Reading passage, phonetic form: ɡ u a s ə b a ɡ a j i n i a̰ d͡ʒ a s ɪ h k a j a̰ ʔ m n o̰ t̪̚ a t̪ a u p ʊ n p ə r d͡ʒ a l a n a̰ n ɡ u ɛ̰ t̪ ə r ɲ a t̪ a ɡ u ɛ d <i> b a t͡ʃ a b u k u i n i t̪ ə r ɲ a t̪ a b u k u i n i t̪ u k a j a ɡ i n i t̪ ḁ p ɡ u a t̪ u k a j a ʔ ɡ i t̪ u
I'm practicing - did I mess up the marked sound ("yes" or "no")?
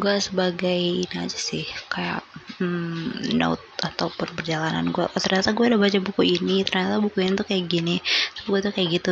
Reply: yes